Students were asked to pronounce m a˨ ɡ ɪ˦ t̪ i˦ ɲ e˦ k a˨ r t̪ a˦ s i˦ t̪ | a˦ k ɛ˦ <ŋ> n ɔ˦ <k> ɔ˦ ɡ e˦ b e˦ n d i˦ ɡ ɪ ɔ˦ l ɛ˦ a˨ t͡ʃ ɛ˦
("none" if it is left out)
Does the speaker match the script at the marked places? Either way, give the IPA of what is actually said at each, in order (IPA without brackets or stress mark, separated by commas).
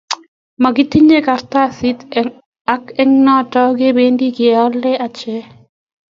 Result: ŋ, t